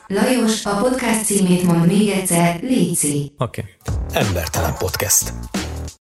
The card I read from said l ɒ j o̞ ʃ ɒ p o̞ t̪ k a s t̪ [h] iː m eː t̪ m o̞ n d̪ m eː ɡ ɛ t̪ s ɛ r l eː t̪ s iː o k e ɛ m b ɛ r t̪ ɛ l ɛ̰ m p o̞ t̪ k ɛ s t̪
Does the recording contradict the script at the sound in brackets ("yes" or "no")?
yes